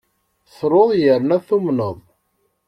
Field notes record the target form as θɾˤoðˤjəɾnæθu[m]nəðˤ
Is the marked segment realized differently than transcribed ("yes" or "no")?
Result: no